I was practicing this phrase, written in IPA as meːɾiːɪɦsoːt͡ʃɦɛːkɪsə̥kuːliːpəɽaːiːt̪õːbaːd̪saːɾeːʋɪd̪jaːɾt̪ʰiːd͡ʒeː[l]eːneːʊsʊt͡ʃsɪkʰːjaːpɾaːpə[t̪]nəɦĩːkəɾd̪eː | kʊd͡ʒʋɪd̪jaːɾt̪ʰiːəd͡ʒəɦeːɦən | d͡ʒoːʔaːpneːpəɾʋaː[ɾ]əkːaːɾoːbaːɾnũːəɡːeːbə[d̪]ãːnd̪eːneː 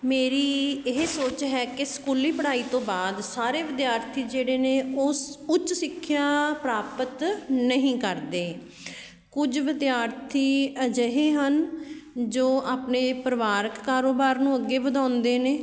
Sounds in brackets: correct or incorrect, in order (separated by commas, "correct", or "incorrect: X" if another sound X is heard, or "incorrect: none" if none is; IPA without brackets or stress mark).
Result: incorrect: ɽ, correct, correct, correct